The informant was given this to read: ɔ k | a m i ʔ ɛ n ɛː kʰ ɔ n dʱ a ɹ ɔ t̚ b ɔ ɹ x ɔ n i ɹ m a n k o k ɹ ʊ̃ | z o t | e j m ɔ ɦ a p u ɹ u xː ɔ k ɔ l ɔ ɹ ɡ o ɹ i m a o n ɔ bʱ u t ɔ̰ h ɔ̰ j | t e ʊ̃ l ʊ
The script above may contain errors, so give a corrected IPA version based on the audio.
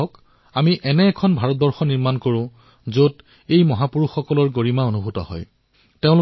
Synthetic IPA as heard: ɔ k | a m i ʔ ɛ n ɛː kʰ ɔ n bʱ a ɹ ɔ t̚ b ɔ ɹ x ɔ n i ɹ m a n k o ɹ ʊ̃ | z o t | e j m ɔ ɦ a p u ɹ u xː ɔ k ɔ l ɔ ɹ ɡ o ɹ i m a o n u bʱ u t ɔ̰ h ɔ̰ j | t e ʊ̃ l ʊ